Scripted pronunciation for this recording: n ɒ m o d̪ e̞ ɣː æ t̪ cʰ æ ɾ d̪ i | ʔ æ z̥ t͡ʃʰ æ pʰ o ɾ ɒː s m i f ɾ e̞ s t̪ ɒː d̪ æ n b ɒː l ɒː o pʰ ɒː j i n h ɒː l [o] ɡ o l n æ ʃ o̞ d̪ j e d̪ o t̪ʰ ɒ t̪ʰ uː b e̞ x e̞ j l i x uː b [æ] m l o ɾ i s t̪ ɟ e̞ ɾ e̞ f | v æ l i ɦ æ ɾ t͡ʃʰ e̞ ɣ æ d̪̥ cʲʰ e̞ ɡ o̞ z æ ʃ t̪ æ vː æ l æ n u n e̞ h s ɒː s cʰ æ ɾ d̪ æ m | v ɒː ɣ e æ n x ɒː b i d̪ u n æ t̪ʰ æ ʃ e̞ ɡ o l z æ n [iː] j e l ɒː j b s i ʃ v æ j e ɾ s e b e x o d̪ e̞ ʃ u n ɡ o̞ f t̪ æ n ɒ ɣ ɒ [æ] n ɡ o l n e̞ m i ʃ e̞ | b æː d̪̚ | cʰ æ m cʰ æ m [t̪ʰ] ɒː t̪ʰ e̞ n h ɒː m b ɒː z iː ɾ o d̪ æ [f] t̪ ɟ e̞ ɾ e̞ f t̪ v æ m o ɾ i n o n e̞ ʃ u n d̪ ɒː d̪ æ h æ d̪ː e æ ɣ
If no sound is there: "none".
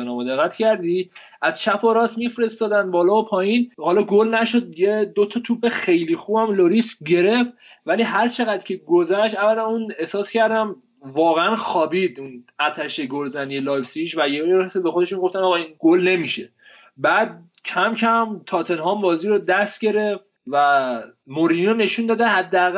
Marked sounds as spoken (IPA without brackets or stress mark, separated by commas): ɒ, æ, i, i, t̪ʰ, s